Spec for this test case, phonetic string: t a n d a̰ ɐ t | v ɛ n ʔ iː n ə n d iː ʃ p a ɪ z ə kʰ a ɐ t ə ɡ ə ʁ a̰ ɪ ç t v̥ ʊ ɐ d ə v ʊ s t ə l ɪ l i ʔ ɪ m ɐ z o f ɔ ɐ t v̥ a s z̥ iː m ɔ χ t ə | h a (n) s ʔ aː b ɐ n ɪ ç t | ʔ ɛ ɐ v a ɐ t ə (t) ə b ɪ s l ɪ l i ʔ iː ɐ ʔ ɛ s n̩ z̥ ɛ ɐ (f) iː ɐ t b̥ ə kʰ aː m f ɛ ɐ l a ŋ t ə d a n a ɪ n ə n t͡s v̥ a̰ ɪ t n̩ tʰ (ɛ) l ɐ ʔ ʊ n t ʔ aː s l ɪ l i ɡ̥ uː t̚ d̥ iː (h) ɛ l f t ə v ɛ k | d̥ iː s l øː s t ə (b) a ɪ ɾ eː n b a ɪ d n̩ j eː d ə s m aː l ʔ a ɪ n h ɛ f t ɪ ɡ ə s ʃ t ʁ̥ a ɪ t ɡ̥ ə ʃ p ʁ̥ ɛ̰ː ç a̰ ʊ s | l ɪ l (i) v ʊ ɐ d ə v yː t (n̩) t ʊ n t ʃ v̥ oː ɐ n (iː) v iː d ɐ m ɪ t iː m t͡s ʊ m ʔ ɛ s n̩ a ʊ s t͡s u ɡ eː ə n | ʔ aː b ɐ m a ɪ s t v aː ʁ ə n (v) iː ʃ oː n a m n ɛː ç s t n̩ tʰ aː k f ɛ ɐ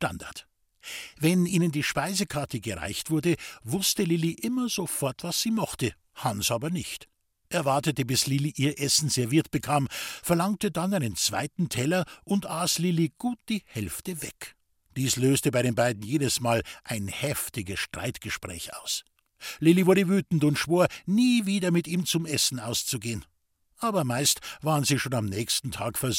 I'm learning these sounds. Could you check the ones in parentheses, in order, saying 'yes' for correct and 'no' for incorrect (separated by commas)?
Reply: yes, yes, no, yes, yes, yes, yes, yes, yes, no